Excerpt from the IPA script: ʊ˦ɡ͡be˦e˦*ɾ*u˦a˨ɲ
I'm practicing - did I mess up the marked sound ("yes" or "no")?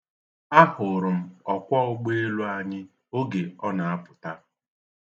yes